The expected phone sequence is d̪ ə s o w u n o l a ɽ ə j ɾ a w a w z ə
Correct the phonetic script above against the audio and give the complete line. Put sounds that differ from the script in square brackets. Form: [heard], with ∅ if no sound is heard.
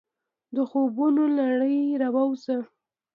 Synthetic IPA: d̪ ə [x] o [b] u n o l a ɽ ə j ɾ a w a w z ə